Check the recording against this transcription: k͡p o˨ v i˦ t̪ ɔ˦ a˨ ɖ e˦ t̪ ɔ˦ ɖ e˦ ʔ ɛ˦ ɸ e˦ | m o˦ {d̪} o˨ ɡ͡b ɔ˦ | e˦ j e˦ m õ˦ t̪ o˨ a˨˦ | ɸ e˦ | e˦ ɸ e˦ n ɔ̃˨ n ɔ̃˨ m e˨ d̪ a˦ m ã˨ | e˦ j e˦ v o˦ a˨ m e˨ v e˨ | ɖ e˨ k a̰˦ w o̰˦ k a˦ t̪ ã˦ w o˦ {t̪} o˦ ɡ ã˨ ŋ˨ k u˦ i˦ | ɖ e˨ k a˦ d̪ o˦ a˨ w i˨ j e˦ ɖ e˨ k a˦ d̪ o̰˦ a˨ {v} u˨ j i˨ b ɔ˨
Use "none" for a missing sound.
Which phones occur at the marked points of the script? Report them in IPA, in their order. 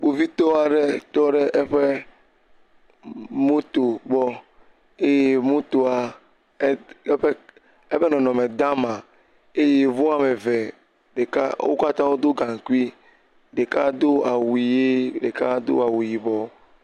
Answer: t̪, d̪, w

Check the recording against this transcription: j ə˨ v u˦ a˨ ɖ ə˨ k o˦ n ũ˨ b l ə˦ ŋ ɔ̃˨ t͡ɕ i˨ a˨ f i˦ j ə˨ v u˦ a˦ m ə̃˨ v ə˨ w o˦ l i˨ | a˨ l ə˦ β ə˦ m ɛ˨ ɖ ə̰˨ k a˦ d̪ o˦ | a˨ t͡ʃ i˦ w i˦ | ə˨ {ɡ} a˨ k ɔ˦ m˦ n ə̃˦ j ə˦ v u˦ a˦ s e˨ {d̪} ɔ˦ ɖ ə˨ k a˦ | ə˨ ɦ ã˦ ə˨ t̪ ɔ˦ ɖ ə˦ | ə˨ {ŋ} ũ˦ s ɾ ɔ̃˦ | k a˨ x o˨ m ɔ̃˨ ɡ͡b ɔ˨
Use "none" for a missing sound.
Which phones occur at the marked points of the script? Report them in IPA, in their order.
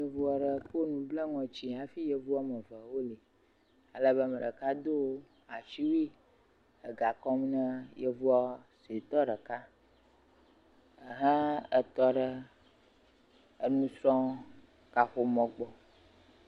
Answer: ɡ, t̪, n

